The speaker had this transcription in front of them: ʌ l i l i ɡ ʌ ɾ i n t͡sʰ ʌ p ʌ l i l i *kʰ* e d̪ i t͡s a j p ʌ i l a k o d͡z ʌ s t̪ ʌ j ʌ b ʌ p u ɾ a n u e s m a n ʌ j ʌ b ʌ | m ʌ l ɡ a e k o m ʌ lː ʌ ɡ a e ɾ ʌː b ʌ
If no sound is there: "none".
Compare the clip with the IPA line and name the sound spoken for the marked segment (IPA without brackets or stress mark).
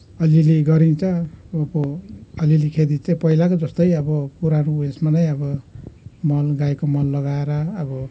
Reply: kʰ